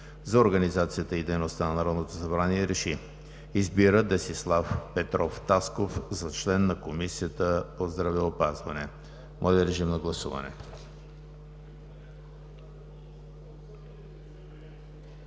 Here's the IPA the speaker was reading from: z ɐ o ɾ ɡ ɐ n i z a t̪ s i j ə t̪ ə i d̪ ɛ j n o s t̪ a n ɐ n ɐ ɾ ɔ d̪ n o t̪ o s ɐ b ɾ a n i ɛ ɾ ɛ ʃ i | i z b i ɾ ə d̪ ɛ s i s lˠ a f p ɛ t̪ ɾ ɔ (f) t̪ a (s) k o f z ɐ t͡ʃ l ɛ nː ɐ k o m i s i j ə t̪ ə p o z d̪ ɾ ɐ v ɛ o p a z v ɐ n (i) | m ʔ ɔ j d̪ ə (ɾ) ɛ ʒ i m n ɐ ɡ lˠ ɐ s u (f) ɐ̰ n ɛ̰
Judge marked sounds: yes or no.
yes, yes, no, yes, no

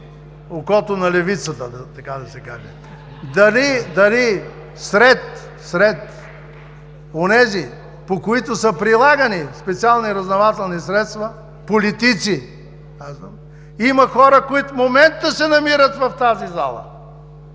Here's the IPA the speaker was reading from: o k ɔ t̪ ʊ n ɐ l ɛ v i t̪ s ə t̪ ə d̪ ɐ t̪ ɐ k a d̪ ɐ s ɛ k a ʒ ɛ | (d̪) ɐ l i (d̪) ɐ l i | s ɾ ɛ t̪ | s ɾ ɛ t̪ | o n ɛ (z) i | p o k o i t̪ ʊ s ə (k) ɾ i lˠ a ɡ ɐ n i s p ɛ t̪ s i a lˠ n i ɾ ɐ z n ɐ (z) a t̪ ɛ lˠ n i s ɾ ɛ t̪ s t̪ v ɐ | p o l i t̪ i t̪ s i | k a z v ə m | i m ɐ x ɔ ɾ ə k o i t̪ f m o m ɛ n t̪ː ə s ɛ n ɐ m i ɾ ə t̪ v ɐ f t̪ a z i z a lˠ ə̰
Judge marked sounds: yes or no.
yes, yes, yes, no, no

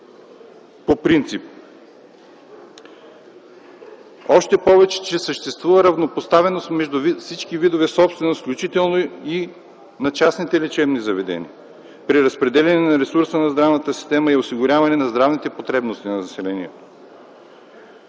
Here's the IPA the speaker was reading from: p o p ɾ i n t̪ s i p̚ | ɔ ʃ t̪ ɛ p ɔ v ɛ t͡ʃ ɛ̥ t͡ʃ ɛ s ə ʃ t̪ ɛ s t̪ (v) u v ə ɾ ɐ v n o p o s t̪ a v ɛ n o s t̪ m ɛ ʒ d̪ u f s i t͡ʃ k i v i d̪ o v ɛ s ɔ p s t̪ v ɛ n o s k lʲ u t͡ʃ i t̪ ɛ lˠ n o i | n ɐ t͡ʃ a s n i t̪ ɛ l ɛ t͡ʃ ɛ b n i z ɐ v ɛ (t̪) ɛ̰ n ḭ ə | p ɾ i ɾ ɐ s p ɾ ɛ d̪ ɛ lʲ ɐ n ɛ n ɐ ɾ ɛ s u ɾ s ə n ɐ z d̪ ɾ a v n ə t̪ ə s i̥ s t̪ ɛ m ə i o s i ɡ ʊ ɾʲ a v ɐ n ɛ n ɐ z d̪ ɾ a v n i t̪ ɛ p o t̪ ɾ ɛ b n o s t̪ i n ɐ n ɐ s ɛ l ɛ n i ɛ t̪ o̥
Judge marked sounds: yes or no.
yes, no

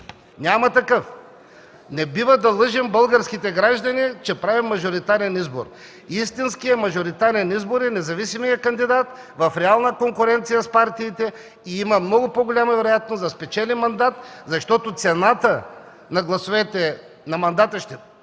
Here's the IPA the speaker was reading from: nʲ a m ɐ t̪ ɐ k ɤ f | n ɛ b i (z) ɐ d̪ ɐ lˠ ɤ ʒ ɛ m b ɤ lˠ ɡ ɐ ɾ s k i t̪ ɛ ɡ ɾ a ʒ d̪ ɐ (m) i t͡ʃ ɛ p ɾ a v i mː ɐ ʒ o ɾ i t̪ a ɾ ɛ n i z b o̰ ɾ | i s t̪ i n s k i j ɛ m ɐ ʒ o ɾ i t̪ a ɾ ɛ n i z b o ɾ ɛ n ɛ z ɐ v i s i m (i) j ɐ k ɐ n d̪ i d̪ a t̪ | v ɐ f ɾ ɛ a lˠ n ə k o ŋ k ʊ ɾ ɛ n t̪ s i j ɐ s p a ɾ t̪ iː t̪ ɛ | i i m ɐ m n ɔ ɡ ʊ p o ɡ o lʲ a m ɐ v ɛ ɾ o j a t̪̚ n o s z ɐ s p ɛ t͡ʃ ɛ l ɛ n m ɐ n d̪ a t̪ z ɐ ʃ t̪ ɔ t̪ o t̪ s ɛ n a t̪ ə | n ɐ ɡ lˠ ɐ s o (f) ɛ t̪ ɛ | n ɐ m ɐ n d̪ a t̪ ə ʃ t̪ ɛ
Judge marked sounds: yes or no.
no, no, yes, no

